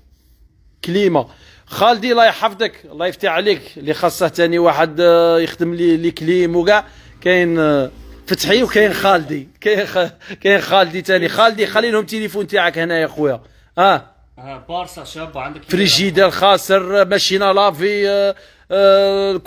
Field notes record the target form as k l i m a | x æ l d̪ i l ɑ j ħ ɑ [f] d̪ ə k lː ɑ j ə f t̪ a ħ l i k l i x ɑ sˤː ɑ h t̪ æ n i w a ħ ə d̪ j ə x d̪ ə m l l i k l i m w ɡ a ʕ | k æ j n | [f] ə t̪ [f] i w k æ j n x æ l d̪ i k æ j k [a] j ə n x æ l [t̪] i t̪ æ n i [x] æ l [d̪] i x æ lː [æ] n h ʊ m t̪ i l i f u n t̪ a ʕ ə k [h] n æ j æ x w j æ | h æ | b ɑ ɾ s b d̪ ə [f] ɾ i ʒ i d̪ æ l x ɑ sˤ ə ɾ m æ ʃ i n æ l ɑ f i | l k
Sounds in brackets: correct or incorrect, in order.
correct, correct, incorrect: ħ, incorrect: æ, incorrect: d̪, correct, correct, incorrect: i, correct, correct

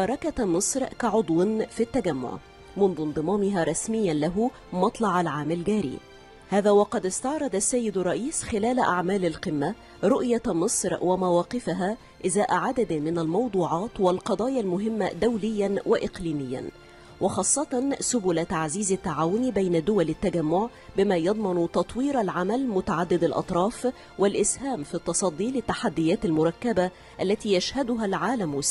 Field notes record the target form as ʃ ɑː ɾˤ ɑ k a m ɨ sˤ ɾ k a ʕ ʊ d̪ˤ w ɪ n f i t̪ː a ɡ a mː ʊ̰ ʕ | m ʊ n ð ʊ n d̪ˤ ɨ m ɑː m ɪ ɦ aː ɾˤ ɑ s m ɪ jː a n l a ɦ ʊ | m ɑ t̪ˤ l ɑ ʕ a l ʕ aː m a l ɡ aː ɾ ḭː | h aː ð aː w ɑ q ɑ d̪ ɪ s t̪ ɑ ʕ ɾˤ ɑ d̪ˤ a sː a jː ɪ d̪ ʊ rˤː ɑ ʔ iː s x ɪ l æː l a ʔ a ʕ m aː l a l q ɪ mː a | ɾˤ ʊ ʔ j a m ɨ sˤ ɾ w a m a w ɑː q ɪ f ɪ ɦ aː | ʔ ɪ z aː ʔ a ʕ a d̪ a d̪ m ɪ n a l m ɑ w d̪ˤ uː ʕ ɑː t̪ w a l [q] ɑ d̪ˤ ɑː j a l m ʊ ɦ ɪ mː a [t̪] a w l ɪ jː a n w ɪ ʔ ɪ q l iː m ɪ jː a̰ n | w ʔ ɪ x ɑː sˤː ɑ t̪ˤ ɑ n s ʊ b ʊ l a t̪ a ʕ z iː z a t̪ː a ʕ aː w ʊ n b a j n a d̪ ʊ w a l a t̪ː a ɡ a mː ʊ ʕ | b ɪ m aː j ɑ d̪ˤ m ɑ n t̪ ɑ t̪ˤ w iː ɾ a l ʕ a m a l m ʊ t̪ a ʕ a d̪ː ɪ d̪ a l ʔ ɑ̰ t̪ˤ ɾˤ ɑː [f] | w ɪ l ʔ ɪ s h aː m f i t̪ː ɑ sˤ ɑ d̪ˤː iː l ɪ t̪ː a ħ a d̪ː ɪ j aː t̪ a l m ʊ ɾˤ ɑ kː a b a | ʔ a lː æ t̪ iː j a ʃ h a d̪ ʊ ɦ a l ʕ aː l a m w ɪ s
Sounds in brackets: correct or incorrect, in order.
correct, incorrect: d̪, correct

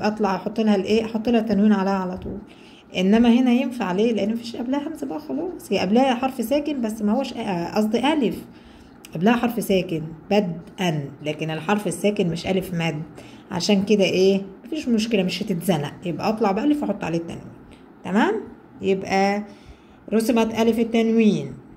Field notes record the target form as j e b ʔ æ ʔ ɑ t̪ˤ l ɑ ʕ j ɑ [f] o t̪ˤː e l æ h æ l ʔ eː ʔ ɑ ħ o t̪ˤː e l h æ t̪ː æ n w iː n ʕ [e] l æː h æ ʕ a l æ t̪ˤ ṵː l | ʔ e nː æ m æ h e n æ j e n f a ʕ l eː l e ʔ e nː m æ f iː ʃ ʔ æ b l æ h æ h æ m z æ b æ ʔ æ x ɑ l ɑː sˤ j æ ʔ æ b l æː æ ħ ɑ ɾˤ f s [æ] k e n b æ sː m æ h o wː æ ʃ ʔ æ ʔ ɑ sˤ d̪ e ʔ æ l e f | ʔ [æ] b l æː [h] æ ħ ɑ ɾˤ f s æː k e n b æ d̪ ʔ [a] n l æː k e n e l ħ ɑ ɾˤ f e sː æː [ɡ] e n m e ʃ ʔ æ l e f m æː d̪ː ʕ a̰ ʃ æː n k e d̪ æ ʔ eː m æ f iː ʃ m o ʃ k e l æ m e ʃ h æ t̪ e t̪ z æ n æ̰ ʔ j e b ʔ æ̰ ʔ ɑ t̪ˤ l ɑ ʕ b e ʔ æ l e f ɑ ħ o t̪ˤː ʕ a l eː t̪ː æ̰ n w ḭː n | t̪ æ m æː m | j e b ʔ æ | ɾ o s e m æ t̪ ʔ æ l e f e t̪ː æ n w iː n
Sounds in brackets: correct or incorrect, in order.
incorrect: ħ, incorrect: a, incorrect: æː, correct, correct, incorrect: æ, incorrect: k

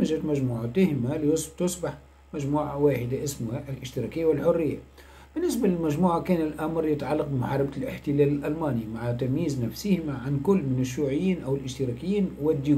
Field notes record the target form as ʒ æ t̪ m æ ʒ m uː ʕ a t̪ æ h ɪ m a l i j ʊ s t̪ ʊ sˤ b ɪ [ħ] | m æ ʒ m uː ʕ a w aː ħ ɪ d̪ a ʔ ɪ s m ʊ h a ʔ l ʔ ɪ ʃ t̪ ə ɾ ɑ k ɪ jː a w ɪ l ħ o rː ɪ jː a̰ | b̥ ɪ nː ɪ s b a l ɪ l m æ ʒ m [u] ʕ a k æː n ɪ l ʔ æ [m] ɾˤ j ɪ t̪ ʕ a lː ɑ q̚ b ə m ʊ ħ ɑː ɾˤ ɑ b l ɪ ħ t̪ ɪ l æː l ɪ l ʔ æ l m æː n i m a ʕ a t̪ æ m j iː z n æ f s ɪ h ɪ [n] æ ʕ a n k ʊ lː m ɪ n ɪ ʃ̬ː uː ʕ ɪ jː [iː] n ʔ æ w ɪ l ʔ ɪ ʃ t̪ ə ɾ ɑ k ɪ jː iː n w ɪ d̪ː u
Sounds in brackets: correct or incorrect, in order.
correct, incorrect: uː, correct, incorrect: m, correct

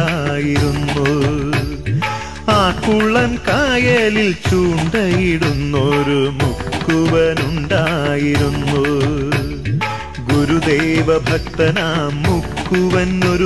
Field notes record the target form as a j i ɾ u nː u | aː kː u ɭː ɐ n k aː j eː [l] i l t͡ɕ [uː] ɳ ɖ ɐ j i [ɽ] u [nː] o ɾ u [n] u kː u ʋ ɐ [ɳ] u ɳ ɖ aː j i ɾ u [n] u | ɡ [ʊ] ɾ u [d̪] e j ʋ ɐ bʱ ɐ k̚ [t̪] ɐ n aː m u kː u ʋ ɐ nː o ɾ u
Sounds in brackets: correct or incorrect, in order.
correct, correct, correct, correct, incorrect: m, incorrect: n, incorrect: nː, incorrect: u, correct, correct

